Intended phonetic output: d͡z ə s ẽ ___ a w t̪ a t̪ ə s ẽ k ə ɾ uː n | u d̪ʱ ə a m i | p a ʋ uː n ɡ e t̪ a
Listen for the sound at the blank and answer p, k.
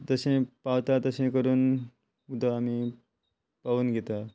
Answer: p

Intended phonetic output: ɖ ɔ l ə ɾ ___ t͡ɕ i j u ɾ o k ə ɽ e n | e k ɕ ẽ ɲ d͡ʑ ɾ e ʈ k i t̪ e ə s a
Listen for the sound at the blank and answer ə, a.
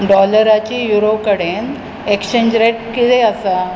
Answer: a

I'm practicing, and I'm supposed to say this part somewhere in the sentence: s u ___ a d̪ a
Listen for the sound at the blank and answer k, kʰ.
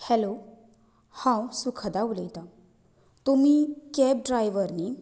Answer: kʰ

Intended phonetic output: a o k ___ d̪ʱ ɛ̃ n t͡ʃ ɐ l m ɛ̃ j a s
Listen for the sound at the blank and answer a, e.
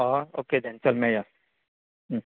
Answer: e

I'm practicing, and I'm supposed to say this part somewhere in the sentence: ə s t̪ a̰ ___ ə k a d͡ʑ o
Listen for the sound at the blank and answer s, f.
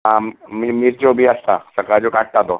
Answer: s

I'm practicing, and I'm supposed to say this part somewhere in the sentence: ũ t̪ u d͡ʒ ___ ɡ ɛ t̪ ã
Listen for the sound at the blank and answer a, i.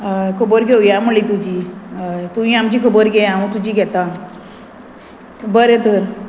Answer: i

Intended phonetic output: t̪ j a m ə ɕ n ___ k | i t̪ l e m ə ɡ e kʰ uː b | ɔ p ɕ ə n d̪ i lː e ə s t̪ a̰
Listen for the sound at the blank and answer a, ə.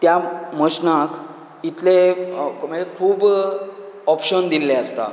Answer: a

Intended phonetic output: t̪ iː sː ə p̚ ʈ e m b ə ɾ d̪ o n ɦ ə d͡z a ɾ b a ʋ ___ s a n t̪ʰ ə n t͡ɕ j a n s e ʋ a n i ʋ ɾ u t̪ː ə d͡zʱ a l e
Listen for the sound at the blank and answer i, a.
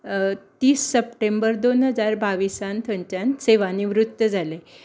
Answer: i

